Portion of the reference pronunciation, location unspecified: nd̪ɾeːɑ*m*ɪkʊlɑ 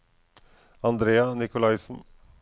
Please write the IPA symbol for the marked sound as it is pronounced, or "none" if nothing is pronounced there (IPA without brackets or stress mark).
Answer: n